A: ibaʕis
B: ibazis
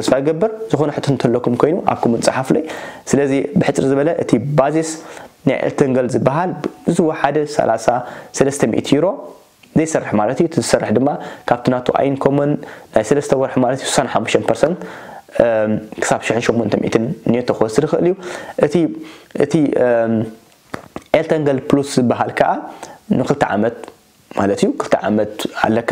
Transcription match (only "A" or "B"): B